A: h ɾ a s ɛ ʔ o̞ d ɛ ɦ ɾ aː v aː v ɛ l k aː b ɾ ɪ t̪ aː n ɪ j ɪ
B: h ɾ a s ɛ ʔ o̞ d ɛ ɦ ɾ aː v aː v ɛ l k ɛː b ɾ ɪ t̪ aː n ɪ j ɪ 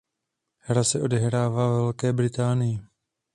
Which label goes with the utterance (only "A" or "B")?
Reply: B